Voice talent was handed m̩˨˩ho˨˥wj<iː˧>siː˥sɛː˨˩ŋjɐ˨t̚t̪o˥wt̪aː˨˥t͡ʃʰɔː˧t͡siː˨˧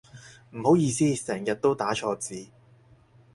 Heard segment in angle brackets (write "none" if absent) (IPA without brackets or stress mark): iː˧